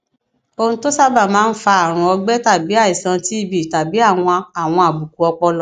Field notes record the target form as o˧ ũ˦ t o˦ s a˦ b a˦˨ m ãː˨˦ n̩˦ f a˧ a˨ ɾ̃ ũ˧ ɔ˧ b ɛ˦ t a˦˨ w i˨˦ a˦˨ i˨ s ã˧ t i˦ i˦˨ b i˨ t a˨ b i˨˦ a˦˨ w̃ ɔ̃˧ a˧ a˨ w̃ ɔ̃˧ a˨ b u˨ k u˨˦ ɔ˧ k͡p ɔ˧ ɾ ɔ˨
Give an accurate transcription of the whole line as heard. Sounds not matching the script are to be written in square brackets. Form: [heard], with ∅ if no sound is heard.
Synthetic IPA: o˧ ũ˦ t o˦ s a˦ b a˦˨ m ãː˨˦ n̩˦ f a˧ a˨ ɾ̃ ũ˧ ɔ˧ [ɡ͡b] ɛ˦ t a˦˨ [b] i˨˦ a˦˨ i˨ s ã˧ t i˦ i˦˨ b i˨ t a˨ b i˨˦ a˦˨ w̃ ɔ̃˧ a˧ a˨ w̃ ɔ̃˧ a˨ b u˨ k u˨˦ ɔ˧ k͡p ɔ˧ [l] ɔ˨